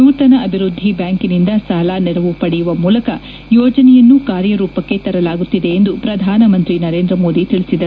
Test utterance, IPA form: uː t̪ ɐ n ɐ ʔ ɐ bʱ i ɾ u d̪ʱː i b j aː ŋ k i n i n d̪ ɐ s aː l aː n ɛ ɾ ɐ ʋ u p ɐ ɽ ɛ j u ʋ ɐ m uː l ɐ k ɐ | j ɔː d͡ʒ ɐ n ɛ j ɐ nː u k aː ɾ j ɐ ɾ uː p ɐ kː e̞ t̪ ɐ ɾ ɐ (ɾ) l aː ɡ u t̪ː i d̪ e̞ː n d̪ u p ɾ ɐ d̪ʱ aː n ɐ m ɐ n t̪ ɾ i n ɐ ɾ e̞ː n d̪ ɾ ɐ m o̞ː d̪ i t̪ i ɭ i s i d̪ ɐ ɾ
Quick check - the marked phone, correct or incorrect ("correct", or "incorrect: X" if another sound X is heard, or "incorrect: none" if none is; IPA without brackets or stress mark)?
incorrect: none